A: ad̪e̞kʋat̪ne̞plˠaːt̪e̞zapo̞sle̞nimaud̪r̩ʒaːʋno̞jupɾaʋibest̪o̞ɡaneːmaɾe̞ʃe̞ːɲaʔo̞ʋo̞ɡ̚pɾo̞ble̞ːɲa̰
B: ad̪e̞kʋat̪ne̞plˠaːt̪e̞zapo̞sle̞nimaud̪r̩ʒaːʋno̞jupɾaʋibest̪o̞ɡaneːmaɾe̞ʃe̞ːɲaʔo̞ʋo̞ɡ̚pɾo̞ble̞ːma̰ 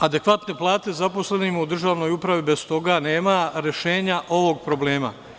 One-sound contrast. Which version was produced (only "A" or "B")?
B